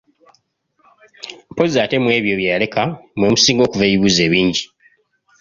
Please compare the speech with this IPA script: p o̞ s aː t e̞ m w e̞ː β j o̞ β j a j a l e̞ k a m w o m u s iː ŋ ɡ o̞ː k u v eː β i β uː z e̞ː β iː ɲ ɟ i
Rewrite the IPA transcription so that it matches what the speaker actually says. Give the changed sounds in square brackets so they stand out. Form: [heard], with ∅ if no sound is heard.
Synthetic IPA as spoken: p o̞ [z] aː t e̞ m w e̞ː β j o̞ β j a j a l e̞ k a m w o m u s iː ŋ ɡ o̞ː k u v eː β i β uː z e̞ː β iː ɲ ɟ i